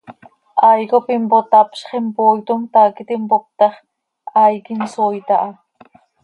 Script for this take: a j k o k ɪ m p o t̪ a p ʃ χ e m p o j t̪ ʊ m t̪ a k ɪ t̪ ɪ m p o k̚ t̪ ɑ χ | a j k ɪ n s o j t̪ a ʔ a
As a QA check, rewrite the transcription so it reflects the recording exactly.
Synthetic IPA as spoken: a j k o p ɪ m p o t̪ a p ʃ χ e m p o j t̪ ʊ m t̪ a k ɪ t̪ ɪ m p o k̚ t̪ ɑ χ | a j k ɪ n s o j t̪ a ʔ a

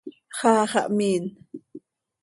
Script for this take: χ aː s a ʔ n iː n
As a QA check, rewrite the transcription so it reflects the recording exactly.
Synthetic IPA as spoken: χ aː χ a ʔ m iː n

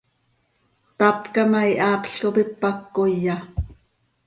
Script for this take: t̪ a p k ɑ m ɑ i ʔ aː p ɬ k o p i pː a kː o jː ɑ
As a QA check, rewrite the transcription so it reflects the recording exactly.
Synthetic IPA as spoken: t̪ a p k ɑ m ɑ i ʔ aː p ɬ k o p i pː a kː o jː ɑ

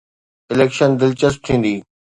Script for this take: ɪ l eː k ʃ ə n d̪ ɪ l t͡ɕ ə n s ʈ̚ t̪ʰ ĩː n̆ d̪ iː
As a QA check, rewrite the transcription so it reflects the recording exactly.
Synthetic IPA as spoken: ɪ l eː k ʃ ə n d̪ ɪ l t͡ɕ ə s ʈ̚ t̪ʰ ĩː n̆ d̪ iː

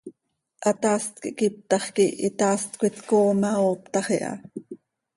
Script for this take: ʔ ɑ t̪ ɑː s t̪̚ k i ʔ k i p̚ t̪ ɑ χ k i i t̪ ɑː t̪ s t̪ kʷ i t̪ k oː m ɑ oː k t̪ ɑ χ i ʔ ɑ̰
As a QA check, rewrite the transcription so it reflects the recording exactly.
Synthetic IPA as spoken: ʔ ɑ t̪ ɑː s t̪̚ k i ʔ k i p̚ t̪ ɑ χ k i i t̪ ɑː s t̪ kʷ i t̪ k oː m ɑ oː p t̪ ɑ χ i ʔ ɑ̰

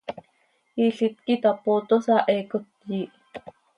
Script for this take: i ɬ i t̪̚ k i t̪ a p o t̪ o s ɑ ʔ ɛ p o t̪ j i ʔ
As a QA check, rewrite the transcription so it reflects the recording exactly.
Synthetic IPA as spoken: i ɬ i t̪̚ k i t̪ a p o t̪ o s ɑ ʔ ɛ k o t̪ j i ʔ

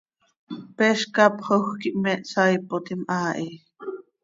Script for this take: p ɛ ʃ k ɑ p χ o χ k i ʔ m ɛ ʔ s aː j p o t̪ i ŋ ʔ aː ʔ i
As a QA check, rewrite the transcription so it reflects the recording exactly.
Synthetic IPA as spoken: p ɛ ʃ k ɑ p χ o x k i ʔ m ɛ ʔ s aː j p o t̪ i m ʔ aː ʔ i

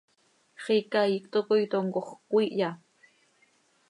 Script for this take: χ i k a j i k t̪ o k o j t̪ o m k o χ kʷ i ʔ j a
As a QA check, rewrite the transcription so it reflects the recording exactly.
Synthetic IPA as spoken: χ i k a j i k t̪ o k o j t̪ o ŋ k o χ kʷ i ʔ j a

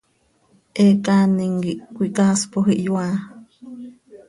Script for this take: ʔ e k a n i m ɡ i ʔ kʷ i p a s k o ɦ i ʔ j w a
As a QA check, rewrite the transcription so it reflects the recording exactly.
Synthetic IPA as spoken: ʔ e k a n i ŋ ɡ i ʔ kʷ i k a s p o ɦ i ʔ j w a

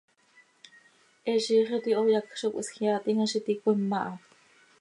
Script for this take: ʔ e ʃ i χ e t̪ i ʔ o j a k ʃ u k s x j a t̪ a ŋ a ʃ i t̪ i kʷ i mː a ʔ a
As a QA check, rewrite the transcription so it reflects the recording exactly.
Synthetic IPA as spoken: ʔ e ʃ i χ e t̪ i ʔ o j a k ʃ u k s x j a t̪ i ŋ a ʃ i t̪ i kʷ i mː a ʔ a

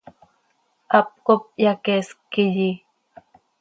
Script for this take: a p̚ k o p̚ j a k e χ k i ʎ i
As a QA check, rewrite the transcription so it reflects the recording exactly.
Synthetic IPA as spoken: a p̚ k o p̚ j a k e s k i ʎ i

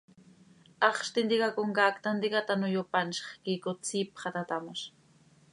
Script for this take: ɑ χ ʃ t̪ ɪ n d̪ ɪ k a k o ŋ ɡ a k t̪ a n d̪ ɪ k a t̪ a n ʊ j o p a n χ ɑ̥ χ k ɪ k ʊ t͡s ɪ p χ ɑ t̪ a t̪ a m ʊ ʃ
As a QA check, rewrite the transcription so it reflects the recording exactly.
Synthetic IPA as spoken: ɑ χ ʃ t̪ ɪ n d̪ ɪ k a k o ŋ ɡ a k t̪ a n d̪ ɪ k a t̪ a n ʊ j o p a n ʃ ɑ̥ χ k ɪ k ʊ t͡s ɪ p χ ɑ t̪ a t̪ a m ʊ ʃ

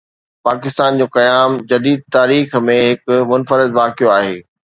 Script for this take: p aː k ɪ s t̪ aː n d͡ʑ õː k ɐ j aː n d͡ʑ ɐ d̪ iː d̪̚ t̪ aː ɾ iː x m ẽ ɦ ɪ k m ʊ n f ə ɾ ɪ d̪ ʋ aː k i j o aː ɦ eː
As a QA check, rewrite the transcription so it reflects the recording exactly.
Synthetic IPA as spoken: p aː k ɪ s t̪ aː n d͡ʑ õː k ɐ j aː m d͡ʑ ɐ d̪ iː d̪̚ t̪ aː ɾ iː x m ẽ ɦ ɪ k m ʊ n f ə ɾ ɪ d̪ ʋ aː k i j o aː ɦ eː

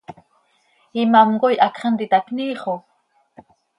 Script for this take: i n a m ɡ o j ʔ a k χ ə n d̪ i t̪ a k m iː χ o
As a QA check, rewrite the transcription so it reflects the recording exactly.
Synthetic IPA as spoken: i m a m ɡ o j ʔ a k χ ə n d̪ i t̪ a k n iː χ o

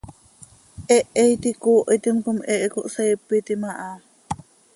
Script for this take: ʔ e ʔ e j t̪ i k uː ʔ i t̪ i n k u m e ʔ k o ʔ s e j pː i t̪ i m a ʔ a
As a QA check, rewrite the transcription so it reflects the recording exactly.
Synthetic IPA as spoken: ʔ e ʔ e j t̪ i k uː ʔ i t̪ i m k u m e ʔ k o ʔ s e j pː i t̪ i m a ʔ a

